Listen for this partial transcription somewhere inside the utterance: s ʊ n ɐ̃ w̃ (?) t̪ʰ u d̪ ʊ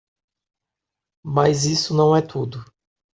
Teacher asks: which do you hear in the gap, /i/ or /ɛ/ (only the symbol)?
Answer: ɛ